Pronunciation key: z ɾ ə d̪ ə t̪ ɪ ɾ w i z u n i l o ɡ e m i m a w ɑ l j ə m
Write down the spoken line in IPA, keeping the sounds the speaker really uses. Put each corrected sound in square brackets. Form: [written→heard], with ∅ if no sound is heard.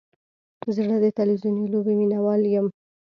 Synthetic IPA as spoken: z [ɾ→ɽ] ə d̪ ə t̪ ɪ [ɾ→l] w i z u n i l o [ɡ→b] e m i [m→n] a w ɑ l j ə m

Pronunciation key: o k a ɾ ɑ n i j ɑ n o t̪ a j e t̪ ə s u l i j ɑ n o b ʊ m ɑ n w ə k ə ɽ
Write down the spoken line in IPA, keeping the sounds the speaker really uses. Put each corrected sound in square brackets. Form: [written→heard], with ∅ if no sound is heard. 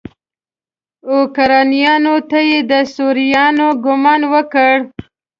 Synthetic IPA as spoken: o k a ɾ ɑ n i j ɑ n o t̪ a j e [t̪→d̪] ə s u [l→ɾ] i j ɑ n o [b→ɡ] ʊ m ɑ n w ə k ə ɽ

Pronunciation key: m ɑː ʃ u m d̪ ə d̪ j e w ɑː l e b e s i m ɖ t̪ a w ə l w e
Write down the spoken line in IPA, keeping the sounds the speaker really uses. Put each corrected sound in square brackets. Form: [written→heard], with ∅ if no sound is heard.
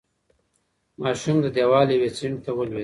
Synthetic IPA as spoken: m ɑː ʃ u m d̪ ə d̪ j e w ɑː l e [b→w] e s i [m→ɳ] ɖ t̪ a w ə l w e

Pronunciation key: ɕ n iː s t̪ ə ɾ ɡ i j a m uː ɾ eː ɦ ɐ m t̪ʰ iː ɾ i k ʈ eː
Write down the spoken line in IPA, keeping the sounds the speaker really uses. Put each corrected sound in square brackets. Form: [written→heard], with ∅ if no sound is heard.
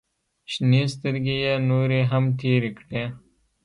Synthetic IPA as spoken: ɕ n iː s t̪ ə ɾ ɡ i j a [m→n] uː ɾ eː ɦ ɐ m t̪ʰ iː ɾ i k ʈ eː

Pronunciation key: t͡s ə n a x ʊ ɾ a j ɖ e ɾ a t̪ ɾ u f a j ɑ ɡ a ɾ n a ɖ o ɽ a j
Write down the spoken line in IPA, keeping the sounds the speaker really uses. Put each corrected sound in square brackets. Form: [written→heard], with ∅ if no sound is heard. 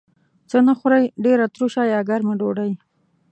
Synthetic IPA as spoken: t͡s ə n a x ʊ ɾ a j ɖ e ɾ a t̪ ɾ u [f→ʃ] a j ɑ ɡ a ɾ [n→m] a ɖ o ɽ a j

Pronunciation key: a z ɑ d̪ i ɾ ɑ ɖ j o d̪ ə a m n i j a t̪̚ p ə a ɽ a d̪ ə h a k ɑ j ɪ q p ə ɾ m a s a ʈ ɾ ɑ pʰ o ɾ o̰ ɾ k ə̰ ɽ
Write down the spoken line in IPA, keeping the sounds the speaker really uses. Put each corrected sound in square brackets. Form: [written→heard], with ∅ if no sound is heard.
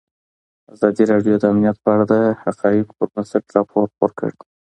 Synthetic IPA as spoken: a z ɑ d̪ i ɾ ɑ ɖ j o d̪ ə a m n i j a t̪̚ p ə a ɽ a d̪ ə h a [k→q] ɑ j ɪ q p ə ɾ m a s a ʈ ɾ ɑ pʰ o ɾ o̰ ɾ k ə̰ ɽ

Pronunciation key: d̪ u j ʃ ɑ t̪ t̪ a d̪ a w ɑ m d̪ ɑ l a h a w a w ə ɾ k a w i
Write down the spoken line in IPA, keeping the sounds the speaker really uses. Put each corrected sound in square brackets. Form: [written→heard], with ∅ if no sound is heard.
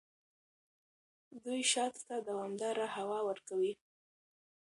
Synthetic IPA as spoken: d̪ u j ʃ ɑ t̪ t̪ a d̪ a w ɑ m d̪ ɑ [l→ɾ] a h a w [a→ɑ] w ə ɾ k a w i

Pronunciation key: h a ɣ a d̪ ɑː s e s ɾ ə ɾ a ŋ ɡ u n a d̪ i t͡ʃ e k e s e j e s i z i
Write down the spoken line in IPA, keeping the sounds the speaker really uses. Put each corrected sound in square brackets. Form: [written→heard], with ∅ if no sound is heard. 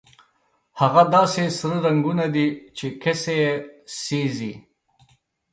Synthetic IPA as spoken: h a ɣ a d̪ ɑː s e s ɾ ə ɾ a ŋ ɡ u n a d̪ i t͡ʃ e k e s e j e s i z i

